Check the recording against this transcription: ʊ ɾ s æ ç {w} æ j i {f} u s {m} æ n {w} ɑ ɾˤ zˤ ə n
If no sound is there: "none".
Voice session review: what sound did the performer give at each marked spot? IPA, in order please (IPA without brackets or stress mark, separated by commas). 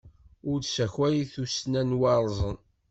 w, θ, n, w